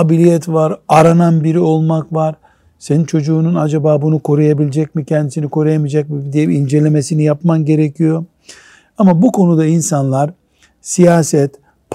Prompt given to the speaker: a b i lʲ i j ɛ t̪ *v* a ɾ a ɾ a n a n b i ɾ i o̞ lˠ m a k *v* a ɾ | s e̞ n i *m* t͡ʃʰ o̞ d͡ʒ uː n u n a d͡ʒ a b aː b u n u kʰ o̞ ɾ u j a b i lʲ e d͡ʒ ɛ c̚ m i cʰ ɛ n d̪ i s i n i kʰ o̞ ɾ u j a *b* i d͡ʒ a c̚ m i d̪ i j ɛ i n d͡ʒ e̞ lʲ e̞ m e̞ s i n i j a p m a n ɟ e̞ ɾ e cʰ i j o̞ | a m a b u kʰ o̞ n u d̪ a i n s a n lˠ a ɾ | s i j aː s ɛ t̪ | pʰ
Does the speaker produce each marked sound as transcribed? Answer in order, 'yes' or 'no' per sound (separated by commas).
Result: yes, yes, no, no